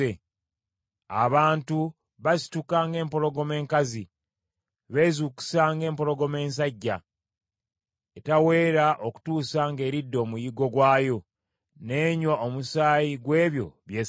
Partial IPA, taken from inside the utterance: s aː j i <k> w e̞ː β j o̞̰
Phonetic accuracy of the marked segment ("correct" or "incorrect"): incorrect